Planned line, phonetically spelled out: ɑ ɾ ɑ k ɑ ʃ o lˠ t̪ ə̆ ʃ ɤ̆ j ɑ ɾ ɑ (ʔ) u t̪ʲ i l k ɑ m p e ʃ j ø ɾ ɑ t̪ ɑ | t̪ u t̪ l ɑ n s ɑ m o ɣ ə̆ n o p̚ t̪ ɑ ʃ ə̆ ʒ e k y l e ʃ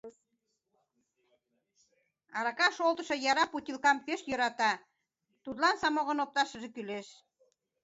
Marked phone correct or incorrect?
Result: incorrect: p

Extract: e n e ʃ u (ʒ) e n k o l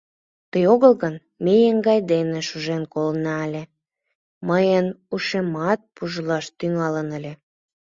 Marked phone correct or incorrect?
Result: correct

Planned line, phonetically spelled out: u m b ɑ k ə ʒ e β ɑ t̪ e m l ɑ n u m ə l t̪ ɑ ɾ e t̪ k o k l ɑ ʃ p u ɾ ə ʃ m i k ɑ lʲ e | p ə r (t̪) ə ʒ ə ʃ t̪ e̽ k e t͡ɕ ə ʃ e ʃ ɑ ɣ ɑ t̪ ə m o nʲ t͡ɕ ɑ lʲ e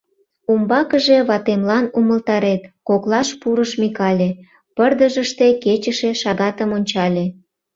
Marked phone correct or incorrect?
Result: incorrect: d̪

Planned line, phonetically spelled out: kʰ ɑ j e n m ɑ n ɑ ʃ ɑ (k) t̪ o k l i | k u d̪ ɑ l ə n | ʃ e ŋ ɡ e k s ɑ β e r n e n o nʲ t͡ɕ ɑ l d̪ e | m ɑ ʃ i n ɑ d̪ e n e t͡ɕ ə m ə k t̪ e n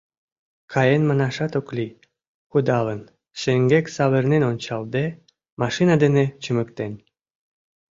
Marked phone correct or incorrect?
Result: incorrect: none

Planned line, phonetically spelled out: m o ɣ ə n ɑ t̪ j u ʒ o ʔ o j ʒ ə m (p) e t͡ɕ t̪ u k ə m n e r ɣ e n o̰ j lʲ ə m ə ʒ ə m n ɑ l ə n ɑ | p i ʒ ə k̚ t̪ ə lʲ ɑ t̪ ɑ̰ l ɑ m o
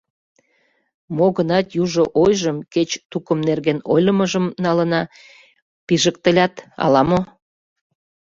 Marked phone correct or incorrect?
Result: incorrect: k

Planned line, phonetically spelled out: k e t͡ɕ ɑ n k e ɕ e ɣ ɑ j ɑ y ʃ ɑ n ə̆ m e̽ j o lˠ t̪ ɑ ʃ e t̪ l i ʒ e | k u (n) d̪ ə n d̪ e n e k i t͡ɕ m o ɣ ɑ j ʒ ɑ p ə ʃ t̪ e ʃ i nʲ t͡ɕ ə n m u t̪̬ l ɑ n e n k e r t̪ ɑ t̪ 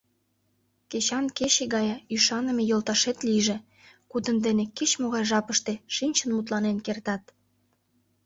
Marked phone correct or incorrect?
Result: incorrect: none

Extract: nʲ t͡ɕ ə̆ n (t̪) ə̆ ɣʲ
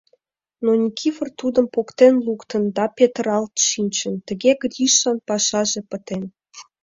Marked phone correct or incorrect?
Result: correct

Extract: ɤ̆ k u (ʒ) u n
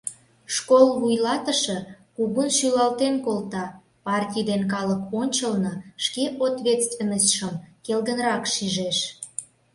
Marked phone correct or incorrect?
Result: incorrect: ɣ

